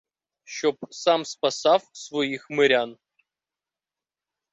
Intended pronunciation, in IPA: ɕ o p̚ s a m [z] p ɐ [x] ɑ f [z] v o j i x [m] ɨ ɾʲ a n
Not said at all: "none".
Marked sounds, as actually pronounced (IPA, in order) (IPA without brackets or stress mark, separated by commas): s, s, s, m